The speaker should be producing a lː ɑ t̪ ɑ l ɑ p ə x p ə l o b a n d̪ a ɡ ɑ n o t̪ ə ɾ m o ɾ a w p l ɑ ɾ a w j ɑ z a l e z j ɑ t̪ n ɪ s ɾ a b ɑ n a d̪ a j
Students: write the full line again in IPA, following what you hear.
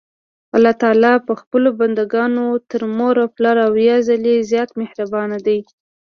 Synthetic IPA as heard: a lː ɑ t̪ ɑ l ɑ p ə x p ə l o b a n d̪ a ɡ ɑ n o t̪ ə ɾ m o ɾ a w p l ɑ ɾ a w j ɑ z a l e z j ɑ t̪ m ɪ h ɾ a b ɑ n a d̪ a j